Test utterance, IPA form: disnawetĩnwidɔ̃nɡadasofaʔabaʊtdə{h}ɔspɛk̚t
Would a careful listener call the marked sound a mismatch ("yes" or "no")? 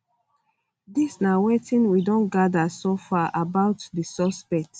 yes